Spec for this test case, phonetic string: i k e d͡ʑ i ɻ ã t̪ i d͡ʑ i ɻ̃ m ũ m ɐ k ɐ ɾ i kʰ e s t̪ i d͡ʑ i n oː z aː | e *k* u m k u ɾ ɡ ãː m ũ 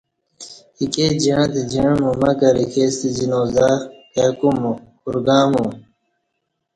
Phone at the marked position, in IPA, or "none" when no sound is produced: k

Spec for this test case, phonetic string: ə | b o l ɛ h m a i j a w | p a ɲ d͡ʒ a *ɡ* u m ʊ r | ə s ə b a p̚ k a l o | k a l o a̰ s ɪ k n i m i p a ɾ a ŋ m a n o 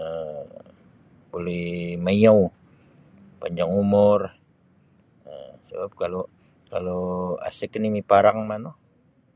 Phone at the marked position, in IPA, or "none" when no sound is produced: ŋ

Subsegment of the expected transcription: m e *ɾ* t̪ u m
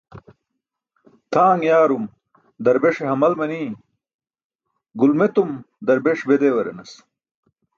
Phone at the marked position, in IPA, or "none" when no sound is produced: none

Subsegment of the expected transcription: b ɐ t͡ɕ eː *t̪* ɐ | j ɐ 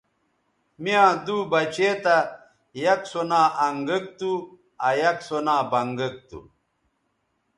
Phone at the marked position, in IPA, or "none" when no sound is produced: t̪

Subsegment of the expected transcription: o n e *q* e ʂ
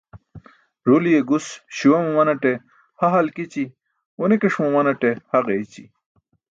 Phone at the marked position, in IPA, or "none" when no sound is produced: k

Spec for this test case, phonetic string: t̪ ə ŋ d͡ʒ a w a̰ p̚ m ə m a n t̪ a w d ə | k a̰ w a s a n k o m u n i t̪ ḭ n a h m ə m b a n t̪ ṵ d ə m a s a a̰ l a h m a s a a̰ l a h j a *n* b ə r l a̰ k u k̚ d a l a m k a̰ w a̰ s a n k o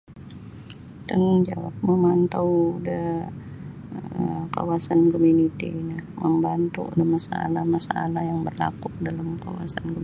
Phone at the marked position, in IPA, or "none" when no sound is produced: ŋ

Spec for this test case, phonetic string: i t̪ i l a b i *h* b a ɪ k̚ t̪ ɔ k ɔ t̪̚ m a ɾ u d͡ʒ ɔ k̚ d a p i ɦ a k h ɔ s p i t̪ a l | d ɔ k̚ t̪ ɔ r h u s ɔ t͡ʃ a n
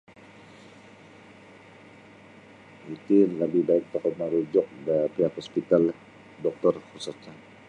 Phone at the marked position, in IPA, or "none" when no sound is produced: h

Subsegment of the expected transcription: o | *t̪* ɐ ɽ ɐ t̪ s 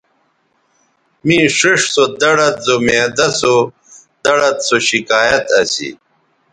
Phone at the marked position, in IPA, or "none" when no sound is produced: d̪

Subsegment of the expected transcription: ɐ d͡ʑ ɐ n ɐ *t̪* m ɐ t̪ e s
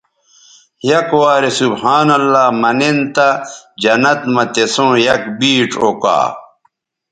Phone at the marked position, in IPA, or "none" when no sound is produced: t̪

